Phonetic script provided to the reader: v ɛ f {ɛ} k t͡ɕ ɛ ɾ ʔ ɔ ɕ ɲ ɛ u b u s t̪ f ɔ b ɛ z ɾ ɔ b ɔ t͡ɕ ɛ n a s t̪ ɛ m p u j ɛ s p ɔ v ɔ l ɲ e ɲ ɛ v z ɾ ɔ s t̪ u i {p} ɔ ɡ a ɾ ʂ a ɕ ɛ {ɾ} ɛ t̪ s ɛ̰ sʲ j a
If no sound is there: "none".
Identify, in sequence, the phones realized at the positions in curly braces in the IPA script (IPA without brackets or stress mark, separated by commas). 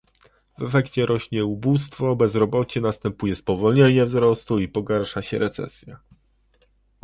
ɛ, p, ɾ